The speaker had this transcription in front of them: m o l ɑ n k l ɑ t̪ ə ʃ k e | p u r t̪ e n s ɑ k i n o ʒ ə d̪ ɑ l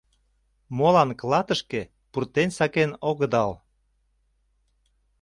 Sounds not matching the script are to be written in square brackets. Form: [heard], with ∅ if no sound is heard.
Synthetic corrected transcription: m o l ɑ n k l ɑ t̪ ə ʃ k e | p u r t̪ e n s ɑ k [e] n o [ɣ] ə d̪ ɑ l